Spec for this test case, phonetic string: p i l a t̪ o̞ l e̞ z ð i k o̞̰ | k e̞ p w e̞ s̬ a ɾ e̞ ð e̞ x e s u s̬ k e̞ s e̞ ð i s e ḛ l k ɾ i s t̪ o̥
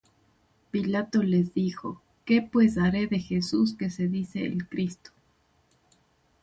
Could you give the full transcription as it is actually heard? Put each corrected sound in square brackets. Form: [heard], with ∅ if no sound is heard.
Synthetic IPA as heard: p i l a t̪ o̞ l e̞ z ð i [x] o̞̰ | k e̞ p w e̞ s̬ a ɾ e̞ ð e̞ x e s u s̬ k e̞ s e̞ ð i s e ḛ l k ɾ i s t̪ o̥